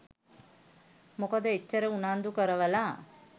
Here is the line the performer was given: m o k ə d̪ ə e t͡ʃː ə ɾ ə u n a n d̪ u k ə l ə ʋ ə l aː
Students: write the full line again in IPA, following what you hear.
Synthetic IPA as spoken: m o k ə d̪ ə e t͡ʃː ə ɾ ə u n a n d̪ u k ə ɾ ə ʋ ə l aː